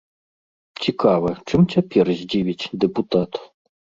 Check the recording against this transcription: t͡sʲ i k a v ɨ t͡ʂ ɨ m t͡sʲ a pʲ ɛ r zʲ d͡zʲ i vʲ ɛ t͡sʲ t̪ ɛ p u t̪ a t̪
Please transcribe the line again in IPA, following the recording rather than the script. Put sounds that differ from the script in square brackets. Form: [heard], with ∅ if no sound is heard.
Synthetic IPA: t͡sʲ i k a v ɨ t͡ʂ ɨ m t͡sʲ a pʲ ɛ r zʲ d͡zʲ i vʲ [i] t͡sʲ [d̪] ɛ p u t̪ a t̪